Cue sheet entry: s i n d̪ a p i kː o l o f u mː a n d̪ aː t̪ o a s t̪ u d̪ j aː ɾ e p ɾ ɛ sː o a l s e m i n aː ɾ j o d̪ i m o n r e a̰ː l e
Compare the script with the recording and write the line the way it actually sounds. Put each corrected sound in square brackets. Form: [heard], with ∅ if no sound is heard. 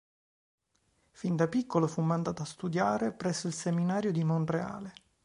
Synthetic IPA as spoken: [f] i n d̪ a p i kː o l o f u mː a n d̪ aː t̪ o a s t̪ u d̪ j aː ɾ e p ɾ ɛ sː o [i] l s e m i n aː ɾ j o d̪ i m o n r e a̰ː l e